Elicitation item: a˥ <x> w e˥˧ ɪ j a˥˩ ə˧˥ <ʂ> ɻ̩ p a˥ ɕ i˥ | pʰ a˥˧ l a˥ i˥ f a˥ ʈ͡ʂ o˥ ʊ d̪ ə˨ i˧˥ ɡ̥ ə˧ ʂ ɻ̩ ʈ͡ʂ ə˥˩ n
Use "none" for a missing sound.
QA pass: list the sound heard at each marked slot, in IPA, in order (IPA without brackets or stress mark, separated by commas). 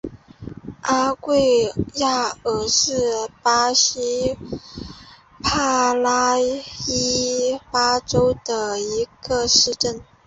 k, ʂ